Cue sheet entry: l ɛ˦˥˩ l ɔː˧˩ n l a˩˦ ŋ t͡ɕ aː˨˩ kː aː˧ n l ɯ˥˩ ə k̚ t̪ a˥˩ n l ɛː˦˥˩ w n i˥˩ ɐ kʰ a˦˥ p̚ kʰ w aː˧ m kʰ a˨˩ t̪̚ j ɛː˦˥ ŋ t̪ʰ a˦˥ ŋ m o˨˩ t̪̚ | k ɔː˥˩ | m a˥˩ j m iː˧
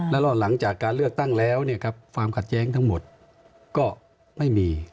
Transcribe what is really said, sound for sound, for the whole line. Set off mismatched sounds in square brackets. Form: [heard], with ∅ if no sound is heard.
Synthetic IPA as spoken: l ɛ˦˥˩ l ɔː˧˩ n l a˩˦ ŋ t͡ɕ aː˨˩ kː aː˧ n l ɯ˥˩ ə k̚ t̪ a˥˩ [ŋ] l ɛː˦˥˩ w n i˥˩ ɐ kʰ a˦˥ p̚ kʰ w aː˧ m kʰ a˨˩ t̪̚ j ɛː˦˥ ŋ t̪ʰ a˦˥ ŋ m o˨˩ t̪̚ | k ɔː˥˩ | m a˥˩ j m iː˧